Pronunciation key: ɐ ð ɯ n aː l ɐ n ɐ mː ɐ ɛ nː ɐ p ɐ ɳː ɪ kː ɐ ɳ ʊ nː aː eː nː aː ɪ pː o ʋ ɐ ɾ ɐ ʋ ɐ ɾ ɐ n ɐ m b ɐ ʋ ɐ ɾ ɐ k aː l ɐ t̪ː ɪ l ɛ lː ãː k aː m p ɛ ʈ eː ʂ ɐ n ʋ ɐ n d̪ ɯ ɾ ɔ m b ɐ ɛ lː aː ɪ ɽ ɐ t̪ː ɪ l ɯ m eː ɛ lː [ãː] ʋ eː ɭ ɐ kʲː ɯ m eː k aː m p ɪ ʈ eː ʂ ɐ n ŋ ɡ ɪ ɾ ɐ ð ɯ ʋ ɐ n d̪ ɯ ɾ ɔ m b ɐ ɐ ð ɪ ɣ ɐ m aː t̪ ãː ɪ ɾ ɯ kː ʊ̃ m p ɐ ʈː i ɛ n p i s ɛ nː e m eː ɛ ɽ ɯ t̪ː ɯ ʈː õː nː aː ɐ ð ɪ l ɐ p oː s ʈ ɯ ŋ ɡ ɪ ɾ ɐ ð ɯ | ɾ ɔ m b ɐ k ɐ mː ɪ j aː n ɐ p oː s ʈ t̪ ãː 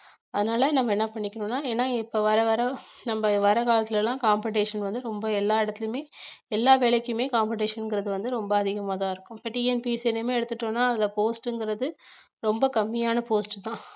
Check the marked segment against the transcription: incorrect: aː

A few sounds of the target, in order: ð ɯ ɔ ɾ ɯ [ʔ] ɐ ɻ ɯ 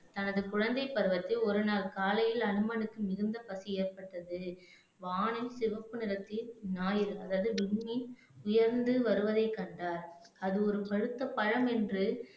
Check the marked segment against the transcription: incorrect: p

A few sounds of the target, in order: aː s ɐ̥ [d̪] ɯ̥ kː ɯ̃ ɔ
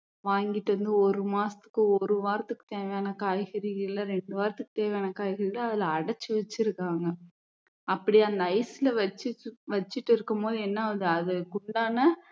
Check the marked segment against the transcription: incorrect: t̪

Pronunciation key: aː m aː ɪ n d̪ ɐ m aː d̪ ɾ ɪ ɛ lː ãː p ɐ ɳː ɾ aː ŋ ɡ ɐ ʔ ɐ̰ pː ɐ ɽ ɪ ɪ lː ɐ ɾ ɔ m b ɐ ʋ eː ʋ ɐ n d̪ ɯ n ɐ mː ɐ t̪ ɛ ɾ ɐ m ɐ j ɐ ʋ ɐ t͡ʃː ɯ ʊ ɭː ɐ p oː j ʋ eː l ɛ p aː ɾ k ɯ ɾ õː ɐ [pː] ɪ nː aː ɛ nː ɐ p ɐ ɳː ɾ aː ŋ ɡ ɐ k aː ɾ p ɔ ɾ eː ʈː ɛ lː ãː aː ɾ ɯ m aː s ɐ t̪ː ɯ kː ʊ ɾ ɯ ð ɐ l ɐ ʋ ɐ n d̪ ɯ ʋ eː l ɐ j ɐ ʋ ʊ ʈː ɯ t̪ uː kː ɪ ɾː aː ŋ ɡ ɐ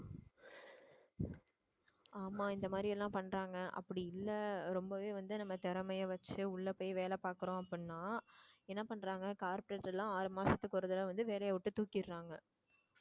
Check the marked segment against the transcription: correct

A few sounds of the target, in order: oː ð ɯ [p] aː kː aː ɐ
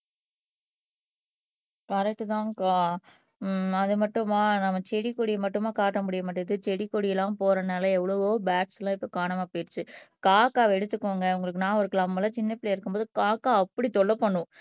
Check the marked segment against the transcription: incorrect: k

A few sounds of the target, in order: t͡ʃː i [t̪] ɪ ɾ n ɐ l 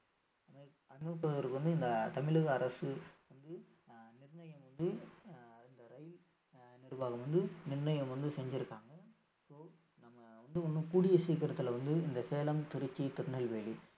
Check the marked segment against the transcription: correct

